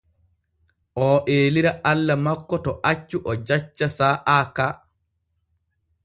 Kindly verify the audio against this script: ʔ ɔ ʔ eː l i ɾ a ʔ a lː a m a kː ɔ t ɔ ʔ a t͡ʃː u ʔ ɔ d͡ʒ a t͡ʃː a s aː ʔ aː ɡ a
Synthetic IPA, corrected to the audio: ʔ ɔ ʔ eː l i ɾ a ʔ a lː a m a kː ɔ t ɔ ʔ a t͡ʃː u ʔ ɔ d͡ʒ a t͡ʃː a s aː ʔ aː k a